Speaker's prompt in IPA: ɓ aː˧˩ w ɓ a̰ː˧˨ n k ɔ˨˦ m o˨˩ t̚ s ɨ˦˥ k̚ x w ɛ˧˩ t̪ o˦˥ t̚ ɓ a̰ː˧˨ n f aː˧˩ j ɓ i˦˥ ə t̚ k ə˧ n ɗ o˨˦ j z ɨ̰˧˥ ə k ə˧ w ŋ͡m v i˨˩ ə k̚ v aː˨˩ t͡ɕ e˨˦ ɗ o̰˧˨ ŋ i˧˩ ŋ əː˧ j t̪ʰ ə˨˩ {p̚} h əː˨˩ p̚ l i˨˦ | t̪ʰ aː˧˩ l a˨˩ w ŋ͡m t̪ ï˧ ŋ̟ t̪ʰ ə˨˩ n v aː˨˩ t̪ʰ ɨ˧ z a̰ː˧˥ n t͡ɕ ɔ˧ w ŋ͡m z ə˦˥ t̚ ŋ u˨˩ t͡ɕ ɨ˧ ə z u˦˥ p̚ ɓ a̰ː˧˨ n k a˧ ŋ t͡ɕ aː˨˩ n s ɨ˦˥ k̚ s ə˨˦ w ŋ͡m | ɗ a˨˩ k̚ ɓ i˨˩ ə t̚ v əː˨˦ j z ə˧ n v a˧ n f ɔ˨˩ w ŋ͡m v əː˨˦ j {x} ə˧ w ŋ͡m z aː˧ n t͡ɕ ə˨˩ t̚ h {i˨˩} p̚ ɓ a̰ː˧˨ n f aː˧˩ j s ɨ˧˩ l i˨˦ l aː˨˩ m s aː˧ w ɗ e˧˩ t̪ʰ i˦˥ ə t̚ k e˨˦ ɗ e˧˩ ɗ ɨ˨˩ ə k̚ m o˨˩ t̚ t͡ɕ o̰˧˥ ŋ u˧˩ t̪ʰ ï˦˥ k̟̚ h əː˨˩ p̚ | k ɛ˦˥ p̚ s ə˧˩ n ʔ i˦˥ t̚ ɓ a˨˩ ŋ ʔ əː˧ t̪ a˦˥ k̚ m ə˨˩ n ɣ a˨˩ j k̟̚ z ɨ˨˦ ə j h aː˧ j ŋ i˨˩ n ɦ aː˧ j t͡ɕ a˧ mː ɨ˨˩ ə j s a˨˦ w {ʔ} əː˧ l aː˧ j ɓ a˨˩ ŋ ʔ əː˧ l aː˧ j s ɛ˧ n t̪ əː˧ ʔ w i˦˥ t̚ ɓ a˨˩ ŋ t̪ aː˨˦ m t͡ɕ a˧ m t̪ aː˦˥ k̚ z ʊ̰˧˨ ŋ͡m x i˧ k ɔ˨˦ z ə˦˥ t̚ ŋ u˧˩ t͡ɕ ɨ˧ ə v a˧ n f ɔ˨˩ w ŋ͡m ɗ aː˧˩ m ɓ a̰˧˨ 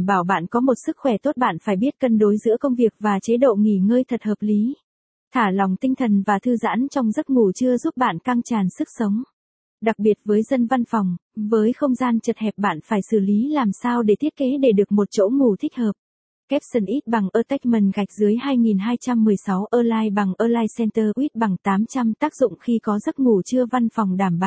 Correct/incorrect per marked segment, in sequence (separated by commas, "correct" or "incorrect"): incorrect, correct, incorrect, correct